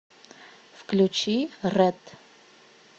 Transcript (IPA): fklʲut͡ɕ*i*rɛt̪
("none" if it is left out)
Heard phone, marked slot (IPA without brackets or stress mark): i